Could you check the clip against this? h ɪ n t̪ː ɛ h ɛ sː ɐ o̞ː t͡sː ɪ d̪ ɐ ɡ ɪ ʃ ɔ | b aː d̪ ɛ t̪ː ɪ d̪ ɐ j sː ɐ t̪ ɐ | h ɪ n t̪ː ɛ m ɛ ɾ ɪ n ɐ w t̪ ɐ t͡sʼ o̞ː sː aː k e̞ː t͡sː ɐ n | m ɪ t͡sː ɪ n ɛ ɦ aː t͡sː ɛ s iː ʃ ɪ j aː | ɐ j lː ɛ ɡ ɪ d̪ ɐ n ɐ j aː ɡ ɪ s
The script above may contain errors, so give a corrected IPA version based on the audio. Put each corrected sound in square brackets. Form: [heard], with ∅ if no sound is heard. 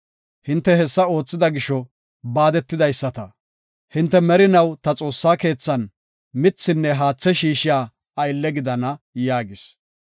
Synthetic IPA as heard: h ɪ n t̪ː ɛ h ɛ sː ɐ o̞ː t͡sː ɪ d̪ ɐ ɡ ɪ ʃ ɔ | b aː d̪ ɛ t̪ː ɪ d̪ ɐ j sː ɐ t̪ ɐ | h ɪ n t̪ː ɛ m ɛ ɾ ɪ n ɐ w t̪ ɐ t͡sʼ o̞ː sː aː k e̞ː t͡sː ɐ n | m ɪ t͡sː ɪ [nː] ɛ ɦ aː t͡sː ɛ [ʃ] iː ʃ ɪ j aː | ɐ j lː ɛ ɡ ɪ d̪ ɐ n ɐ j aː ɡ ɪ s